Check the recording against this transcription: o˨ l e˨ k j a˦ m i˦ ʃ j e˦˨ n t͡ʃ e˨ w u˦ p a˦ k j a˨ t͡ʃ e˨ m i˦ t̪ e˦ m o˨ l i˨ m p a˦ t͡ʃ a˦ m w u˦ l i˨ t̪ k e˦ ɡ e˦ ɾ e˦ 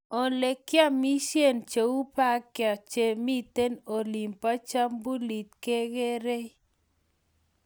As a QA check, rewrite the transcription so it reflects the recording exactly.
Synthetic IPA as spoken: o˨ l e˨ k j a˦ m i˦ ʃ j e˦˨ n t͡ʃ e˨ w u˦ p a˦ k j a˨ t͡ʃ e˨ m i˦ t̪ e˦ n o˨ l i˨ m p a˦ t͡ʃ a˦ m b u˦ l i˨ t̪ k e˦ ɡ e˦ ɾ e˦